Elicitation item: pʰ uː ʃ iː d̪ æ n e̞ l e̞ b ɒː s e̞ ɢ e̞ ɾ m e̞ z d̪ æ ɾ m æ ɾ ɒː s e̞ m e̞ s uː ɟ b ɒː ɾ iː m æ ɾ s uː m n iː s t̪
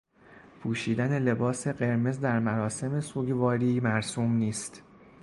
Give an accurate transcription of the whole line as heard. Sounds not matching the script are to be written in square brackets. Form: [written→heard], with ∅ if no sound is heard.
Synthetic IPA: pʰ uː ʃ iː d̪ æ n e̞ l e̞ b ɒː s e̞ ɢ e̞ ɾ m e̞ z d̪ æ ɾ m æ ɾ ɒː s e̞ m e̞ s uː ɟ [b→v] ɒː ɾ iː m æ ɾ s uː m n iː s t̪

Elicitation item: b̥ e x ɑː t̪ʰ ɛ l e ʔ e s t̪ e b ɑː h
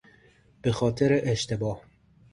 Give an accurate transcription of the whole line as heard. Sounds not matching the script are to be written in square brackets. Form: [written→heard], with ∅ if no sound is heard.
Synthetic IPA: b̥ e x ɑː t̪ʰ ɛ [l→ɾ] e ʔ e [s→ʃ] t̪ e b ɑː h

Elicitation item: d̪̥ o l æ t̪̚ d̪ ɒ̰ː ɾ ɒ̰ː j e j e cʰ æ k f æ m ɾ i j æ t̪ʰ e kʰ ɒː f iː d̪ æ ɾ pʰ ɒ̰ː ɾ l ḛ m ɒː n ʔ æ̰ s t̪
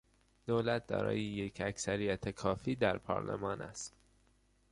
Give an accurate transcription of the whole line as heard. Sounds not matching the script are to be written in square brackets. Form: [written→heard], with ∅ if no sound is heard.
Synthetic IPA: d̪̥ o l æ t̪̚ d̪ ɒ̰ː ɾ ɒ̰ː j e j e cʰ æ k [f→s] æ [m→∅] ɾ i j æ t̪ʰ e kʰ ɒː f iː d̪ æ ɾ pʰ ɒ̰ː ɾ l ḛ m ɒː n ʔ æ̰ s t̪

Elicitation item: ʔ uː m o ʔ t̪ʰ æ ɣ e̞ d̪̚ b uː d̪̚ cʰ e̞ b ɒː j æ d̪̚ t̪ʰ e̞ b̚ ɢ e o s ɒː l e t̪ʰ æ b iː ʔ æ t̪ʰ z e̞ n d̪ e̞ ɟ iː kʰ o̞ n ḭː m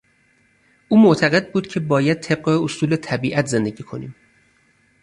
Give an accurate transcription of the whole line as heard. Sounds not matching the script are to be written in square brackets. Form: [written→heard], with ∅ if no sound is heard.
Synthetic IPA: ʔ uː m o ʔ t̪ʰ æ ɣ e̞ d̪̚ b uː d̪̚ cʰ e̞ b ɒː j æ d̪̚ t̪ʰ e̞ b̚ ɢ e o s [ɒː→uː] l e t̪ʰ æ b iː ʔ æ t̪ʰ z e̞ n d̪ e̞ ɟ iː kʰ o̞ n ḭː m

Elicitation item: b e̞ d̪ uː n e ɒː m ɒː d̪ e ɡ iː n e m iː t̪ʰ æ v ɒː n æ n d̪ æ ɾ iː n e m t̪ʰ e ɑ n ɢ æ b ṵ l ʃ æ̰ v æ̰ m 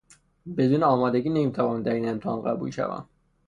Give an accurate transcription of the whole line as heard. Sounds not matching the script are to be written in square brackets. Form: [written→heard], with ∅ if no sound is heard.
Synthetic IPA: b e̞ d̪ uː n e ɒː m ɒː d̪ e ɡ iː n e m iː t̪ʰ æ v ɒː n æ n d̪ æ ɾ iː n e m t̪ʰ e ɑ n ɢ æ b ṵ l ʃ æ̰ v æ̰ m

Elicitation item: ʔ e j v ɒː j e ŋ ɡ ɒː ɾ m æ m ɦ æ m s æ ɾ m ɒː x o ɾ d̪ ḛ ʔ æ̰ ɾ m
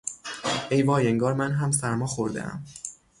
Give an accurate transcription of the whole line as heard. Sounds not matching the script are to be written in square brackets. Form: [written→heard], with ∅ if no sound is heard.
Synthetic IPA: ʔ e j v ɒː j e ŋ ɡ ɒː ɾ m æ [m→n] ɦ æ m s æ ɾ m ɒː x o ɾ d̪ ḛ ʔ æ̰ [ɾ→∅] m

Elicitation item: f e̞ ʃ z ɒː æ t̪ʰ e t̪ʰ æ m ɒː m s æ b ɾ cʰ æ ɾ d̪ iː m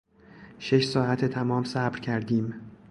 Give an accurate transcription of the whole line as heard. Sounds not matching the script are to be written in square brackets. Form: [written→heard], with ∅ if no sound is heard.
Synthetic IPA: [f→ʃ] e̞ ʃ [z→s] ɒː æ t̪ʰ e t̪ʰ æ m ɒː m s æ b ɾ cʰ æ ɾ d̪ iː m

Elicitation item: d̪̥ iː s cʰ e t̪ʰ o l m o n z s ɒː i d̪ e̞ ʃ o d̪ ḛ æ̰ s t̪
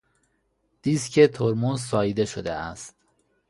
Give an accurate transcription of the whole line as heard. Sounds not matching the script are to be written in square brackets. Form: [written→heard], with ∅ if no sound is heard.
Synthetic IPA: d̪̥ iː s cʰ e t̪ʰ o [l→ɾ] m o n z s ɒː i d̪ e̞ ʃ o d̪ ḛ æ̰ s t̪

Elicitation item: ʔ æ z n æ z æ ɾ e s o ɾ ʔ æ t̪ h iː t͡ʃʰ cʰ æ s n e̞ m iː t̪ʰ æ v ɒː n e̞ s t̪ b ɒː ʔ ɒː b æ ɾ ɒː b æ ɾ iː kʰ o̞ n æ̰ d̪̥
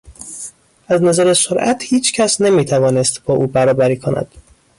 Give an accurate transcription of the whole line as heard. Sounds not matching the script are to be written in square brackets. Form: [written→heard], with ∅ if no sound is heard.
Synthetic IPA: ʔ æ z n æ z æ ɾ e s o ɾ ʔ æ t̪ h iː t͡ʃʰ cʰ æ s n e̞ m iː t̪ʰ æ v ɒː n e̞ s t̪ b ɒː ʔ [ɒː→uː] b æ ɾ ɒː b æ ɾ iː kʰ o̞ n æ̰ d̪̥

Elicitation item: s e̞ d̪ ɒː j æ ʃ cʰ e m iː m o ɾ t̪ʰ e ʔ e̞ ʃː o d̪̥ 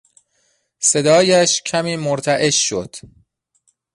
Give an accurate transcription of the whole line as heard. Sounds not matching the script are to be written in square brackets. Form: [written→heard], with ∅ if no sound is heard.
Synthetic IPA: s e̞ d̪ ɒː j æ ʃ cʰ [e→æ] m iː m o ɾ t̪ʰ [e→æ] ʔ e̞ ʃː o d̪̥

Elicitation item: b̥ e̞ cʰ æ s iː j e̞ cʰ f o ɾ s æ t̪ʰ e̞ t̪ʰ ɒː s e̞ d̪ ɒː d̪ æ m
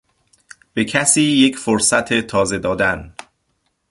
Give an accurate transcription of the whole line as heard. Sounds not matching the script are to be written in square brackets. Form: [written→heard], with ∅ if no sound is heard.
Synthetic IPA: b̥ e̞ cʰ æ s iː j e̞ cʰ f o ɾ s æ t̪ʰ e̞ t̪ʰ ɒː [s→z] e̞ d̪ ɒː d̪ æ [m→n]

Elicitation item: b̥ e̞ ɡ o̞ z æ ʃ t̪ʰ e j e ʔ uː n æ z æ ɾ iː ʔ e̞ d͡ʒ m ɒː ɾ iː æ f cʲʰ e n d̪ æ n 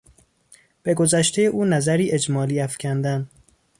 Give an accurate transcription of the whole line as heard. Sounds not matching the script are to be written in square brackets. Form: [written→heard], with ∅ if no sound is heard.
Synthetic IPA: b̥ e̞ ɡ o̞ z æ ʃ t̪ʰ e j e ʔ uː n æ z æ ɾ iː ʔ e̞ d͡ʒ m ɒː [ɾ→l] iː æ f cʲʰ [e→æ] n d̪ æ n

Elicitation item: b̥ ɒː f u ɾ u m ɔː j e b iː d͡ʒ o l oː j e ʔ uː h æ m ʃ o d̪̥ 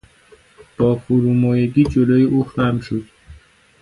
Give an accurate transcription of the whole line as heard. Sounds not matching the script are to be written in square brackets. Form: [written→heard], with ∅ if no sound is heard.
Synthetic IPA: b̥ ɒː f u ɾ u m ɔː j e [b→ɡ] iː d͡ʒ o l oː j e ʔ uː [h→x] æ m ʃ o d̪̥

